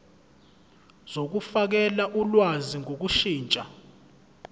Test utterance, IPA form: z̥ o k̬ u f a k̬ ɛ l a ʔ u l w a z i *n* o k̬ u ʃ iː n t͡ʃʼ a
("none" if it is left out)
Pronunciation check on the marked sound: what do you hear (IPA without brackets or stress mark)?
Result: ŋ